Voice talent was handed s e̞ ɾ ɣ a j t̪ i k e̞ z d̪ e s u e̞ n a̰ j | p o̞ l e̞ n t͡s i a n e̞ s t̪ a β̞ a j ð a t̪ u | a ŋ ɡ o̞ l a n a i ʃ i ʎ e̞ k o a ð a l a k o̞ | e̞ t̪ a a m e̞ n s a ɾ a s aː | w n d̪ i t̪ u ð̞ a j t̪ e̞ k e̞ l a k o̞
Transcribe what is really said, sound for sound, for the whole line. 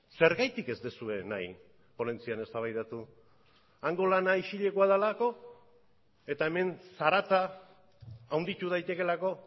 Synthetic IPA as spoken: s e̞ ɾ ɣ a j t̪ i k e̞ z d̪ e s u e̞ n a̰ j | p o̞ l e̞ n t͡s i a n e̞ s t̪ a β̞ a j ð a t̪ u | a ŋ ɡ o̞ l a n a i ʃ i ʎ e̞ k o a ð a l a k o̞ | e̞ t̪ a e m e̞ n s a ɾ a t͡s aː | w n d̪ i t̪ u ð̞ a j t̪ e̞ k e̞ l a k o̞